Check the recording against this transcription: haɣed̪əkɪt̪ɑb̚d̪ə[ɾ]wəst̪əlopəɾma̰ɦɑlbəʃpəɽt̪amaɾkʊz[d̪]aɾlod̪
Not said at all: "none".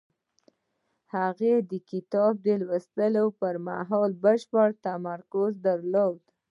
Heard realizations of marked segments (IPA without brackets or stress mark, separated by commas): l, d̪